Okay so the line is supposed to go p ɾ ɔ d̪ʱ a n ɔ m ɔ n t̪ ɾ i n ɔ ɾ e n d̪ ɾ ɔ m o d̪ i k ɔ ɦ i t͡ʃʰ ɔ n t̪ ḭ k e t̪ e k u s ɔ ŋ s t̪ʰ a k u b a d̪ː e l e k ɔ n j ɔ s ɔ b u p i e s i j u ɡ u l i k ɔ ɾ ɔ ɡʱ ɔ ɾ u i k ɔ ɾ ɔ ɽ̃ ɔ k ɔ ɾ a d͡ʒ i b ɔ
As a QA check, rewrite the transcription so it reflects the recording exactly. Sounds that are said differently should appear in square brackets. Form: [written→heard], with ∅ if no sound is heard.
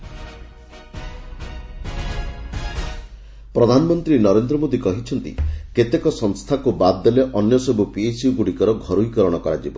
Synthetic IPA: p ɾ ɔ d̪ʱ a n ɔ m ɔ n t̪ ɾ i n ɔ ɾ e n d̪ ɾ ɔ m o d̪ i k ɔ ɦ i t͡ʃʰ ɔ n t̪ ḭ k e t̪ e k [u→ɔ] s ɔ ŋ s t̪ʰ a k u b a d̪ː e l e [k→ʔ] ɔ n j ɔ s ɔ b u p i e s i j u ɡ u [l→ɽ] i k ɔ ɾ ɔ ɡʱ ɔ ɾ u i k ɔ ɾ ɔ ɽ̃ ɔ k ɔ ɾ a d͡ʒ i b ɔ